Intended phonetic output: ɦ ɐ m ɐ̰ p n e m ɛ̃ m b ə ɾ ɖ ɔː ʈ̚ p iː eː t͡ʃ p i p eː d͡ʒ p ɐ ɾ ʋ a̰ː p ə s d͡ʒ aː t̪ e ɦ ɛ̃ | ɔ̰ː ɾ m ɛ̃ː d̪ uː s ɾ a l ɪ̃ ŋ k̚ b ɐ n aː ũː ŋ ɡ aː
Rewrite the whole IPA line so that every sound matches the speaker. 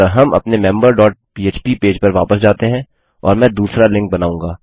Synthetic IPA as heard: ɦ ɐ m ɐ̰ p n e m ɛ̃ m b ə ɾ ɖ ɔː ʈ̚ p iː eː t͡ʃ p i p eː d͡ʒ p ɐ ɾ ʋ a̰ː p ə s d͡ʒ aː t̪ e ɦ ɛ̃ | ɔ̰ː ɾ m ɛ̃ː d̪ uː s ɾ a l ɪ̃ ŋ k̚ b ɐ n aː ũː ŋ ɡ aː

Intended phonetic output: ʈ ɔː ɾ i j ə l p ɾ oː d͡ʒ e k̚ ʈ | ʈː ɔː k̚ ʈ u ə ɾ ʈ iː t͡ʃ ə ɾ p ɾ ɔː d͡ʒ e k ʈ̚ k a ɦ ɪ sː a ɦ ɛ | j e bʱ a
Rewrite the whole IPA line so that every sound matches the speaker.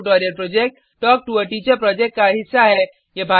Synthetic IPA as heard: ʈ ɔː ɾ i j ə ɾ p ɾ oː d͡ʒ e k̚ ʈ | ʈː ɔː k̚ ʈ u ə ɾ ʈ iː t͡ʃ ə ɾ p ɾ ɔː d͡ʒ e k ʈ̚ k a ɦ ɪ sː a ɦ ɛ | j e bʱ a

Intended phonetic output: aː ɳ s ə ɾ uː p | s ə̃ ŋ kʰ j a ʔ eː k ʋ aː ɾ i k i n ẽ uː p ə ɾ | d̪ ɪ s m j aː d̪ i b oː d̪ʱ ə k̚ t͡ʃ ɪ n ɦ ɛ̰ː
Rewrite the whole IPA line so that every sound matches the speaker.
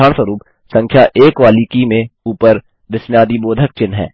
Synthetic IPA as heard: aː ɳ s ə ɾ uː p | s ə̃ ŋ kʰ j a ʔ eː k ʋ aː l i k i m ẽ uː p ə ɾ | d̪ ɪ s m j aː d̪ i b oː d̪ʱ ə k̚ t͡ʃ ɪ n ɦ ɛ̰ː

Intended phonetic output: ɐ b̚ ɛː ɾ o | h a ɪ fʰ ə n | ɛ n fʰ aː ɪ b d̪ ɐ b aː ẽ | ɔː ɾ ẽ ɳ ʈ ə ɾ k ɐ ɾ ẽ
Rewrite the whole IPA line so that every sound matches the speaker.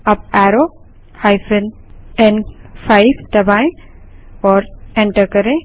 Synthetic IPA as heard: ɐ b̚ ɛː ɾ o | h a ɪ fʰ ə n | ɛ n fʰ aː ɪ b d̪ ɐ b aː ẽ | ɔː ɾ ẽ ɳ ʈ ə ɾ k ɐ ɾ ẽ

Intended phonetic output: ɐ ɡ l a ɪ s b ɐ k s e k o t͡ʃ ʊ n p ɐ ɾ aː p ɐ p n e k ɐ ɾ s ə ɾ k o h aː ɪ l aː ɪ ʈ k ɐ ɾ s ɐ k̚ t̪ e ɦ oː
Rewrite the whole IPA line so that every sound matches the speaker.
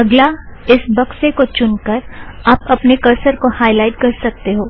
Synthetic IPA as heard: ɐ ɡ l a ɪ s b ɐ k s e k o t͡ʃ ʊ n k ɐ ɾ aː p ɐ p n e k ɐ ɾ s ə ɾ k o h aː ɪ l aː ɪ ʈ k ɐ ɾ s ɐ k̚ t̪ e ɦ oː

